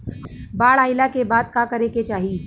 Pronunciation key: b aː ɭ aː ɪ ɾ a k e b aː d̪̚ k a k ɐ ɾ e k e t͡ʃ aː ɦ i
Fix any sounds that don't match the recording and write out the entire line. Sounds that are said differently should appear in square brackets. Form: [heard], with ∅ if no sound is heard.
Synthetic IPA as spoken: b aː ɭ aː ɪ [l] a k e b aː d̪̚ k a k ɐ ɾ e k e t͡ʃ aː ɦ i